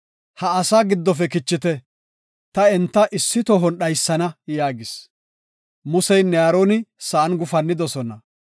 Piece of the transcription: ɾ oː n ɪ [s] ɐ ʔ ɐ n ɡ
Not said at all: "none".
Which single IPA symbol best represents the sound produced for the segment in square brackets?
s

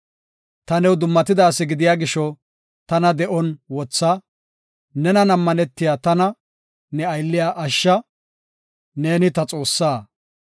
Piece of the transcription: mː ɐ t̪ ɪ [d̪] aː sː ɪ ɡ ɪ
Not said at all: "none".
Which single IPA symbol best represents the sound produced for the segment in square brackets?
d̪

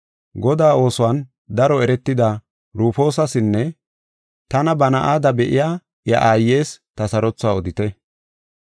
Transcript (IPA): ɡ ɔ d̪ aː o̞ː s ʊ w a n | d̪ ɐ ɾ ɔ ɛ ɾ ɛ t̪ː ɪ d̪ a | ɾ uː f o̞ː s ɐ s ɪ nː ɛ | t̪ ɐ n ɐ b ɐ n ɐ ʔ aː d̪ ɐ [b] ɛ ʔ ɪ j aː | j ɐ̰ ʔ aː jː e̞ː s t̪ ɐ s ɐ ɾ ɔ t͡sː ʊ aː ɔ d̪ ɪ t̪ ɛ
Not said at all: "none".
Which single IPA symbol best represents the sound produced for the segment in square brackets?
b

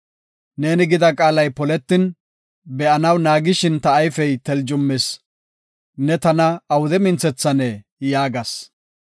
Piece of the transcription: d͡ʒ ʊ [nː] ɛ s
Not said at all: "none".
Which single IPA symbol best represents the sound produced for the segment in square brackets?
mː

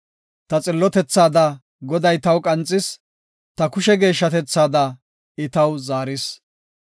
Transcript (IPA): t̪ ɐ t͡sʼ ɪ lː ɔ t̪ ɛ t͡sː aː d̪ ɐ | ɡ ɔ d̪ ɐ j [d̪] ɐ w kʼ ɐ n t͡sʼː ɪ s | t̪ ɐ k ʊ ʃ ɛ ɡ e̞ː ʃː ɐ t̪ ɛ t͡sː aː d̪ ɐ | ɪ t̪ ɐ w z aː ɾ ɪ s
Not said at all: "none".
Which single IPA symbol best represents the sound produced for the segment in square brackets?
t̪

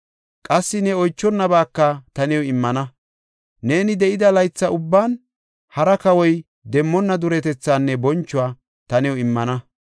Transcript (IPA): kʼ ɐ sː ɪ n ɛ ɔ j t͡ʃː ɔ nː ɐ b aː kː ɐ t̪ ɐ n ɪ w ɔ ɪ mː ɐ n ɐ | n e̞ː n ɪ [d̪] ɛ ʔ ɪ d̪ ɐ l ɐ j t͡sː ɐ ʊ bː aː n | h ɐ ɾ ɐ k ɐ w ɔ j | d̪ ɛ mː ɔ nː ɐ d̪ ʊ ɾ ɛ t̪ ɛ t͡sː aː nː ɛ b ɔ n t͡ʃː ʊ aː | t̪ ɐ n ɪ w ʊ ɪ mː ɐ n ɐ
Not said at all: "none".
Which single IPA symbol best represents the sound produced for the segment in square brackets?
d̪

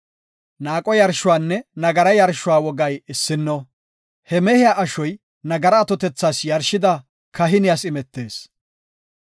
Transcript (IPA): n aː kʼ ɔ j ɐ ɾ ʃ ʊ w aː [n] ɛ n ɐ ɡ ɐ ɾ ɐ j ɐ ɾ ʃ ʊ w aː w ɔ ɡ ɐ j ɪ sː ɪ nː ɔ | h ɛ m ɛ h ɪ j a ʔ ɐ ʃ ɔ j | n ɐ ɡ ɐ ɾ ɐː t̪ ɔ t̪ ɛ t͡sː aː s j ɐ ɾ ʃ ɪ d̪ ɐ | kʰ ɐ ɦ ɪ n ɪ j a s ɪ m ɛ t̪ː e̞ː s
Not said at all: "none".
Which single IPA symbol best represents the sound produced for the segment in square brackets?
nː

